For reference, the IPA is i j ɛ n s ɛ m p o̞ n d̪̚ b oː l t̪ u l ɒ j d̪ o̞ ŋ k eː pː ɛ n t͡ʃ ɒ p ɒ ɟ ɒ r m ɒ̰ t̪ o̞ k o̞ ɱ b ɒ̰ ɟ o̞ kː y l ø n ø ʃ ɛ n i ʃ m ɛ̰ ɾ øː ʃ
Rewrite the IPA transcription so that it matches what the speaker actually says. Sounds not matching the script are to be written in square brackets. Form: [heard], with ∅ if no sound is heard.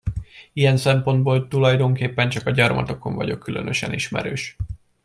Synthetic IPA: i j ɛ n s ɛ m p o̞ n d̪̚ b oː l t̪ u l ɒ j d̪ o̞ ŋ k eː pː ɛ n t͡ʃ ɒ [k] ɒ ɟ ɒ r m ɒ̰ t̪ o̞ k o̞ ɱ [v] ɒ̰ ɟ o̞ kː y l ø n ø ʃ ɛ n i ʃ m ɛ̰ ɾ øː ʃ